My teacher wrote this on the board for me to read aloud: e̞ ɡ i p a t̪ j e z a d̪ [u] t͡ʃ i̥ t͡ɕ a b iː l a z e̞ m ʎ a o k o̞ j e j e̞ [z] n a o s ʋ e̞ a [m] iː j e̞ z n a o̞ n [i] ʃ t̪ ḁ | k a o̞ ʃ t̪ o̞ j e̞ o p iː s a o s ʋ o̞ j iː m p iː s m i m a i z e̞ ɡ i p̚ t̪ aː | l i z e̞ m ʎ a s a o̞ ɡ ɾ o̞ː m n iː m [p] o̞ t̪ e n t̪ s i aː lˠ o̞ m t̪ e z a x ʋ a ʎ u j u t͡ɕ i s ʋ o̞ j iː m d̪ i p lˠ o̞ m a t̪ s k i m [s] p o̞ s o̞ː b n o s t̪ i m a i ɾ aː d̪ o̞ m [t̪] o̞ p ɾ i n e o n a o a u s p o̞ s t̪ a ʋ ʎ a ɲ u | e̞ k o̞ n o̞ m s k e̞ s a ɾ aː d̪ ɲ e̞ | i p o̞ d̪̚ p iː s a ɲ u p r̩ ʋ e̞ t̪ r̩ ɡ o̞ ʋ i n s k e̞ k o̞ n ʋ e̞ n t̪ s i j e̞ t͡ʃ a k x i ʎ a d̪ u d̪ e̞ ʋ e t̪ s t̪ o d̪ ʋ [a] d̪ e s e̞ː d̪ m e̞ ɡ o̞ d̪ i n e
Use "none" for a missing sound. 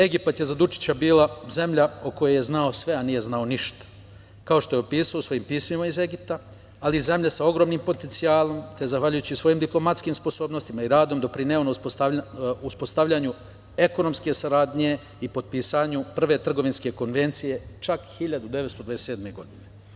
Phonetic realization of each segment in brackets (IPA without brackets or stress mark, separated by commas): u, z, n, i, p, s, d̪, a